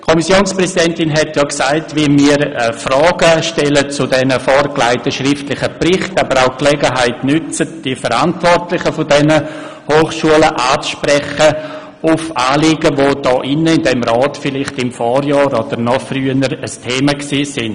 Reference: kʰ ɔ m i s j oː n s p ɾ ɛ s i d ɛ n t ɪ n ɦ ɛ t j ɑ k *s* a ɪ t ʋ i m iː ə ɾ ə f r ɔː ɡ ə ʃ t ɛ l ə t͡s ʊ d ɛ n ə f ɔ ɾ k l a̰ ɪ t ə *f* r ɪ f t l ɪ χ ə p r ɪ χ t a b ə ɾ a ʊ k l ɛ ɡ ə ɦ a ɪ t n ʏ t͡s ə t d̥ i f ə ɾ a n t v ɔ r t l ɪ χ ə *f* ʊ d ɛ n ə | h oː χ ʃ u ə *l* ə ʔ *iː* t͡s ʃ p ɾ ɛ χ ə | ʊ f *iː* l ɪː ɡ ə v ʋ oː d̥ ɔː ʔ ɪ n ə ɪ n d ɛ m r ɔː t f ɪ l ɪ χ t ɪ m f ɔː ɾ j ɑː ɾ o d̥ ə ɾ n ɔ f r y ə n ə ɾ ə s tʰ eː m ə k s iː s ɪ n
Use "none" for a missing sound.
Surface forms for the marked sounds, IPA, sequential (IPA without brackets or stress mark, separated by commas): s, ʃ, f, l, aː, aː